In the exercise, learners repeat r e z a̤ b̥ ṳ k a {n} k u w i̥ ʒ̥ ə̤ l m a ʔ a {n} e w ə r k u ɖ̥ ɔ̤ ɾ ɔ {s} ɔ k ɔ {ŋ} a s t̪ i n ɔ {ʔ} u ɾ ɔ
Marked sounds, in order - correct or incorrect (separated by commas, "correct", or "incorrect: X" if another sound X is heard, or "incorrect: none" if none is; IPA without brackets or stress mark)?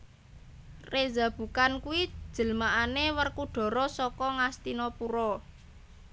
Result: correct, correct, correct, correct, incorrect: p